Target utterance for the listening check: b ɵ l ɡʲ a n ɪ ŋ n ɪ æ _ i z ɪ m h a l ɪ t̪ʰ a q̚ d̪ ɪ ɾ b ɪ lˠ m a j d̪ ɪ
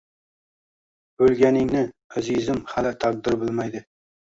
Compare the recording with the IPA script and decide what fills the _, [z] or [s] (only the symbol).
z